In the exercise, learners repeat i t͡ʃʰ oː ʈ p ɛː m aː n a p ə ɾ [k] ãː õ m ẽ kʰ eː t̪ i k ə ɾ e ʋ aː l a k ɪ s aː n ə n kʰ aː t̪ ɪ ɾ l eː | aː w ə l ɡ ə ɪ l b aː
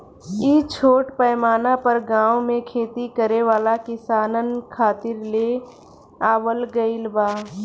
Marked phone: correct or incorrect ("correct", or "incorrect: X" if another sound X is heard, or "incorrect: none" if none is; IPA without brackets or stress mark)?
incorrect: ɡ